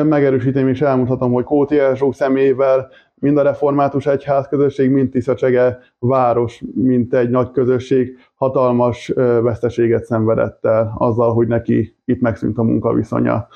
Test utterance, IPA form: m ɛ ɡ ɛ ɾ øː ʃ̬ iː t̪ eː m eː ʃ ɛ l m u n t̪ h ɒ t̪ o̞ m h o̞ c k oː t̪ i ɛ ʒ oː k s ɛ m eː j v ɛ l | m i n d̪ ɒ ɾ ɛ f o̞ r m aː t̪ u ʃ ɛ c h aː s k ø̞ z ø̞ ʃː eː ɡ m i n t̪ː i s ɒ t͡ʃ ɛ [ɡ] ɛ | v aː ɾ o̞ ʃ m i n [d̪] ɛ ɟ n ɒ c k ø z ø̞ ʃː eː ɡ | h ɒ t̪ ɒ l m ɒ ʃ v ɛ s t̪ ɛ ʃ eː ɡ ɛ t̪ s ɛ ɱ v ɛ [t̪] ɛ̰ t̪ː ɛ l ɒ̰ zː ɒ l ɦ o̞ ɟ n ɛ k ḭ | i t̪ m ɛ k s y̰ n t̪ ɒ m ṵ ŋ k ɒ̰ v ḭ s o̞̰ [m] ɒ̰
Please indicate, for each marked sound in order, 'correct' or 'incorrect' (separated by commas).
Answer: correct, incorrect, incorrect, incorrect